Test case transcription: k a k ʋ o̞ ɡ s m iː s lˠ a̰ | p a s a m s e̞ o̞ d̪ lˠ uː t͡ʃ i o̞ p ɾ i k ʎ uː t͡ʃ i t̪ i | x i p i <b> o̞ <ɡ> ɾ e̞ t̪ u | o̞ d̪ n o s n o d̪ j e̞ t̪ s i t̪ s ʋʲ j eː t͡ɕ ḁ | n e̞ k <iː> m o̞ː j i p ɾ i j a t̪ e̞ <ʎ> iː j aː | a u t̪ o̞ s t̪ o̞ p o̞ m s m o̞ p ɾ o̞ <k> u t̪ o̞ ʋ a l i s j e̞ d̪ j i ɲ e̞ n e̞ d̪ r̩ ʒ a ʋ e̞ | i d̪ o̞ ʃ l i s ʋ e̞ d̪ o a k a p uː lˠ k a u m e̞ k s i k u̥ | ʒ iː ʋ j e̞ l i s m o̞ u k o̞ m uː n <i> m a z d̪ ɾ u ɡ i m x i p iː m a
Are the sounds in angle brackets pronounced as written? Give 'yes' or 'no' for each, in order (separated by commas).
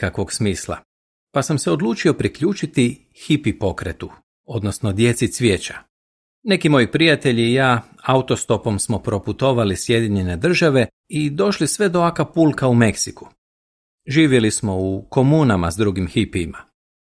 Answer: no, no, no, yes, no, no